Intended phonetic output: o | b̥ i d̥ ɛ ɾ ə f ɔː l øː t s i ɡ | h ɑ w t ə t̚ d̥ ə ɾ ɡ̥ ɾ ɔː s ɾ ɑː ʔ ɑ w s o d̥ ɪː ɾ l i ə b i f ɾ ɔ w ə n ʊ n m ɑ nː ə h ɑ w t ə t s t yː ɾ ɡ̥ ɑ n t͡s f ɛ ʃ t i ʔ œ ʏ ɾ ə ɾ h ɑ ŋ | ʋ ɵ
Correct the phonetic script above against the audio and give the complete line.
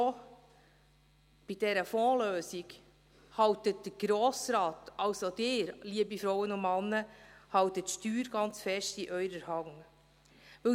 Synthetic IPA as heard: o | b̥ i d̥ ɛ ɾ ə f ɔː l øː s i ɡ | h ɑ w t ə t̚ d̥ ə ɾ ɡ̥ ɾ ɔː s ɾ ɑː t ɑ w s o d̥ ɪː ɾ l i ə b i f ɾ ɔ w ə n ʊ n m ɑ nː ə h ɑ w t ə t ʃ t yː ɾ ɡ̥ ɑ n t͡s f ɛ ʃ t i ʔ œ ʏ ɾ ə ɾ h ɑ ŋ | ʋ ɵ